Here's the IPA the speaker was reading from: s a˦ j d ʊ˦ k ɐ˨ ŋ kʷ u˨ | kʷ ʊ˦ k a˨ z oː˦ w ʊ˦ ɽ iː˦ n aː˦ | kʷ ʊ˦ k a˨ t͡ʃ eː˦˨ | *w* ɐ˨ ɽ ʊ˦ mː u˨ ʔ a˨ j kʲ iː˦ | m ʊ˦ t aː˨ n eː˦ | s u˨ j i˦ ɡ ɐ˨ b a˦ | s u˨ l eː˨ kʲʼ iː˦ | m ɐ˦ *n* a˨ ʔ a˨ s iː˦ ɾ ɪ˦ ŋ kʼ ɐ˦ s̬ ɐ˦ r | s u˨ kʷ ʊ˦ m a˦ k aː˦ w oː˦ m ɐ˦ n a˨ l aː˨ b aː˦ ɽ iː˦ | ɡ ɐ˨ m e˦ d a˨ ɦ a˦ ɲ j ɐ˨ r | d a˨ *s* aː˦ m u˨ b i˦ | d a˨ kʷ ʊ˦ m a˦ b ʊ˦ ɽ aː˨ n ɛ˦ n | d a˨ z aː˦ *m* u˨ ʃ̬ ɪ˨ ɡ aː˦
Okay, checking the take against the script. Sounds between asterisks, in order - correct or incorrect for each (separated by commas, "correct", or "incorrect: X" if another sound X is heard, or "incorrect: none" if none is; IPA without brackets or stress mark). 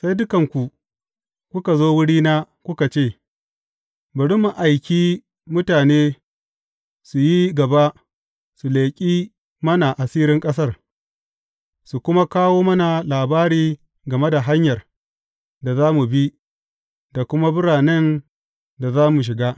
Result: incorrect: b, correct, incorrect: z, correct